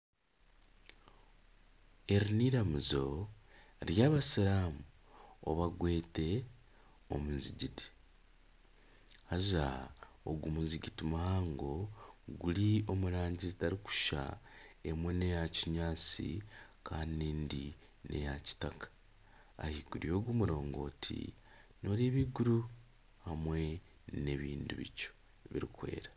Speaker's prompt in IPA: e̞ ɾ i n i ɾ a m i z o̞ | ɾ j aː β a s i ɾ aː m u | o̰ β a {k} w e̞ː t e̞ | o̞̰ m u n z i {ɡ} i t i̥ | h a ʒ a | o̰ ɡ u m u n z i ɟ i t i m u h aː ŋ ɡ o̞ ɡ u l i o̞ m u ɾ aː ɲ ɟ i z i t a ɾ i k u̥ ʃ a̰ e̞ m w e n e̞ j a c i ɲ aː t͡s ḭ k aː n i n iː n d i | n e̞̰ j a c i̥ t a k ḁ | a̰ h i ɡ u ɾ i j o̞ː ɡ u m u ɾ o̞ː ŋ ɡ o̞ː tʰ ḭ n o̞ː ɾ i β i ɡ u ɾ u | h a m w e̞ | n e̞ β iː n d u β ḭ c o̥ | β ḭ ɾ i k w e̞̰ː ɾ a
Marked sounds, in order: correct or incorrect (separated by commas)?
incorrect, incorrect